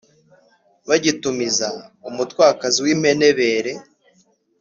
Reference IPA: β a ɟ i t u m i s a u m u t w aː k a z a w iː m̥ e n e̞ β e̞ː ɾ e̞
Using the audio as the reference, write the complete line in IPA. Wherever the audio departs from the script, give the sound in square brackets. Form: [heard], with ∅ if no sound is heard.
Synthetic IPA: β a ɟ i t u m i [z] a u m u t w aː k a z [i] w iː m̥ e n e̞ β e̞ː ɾ e̞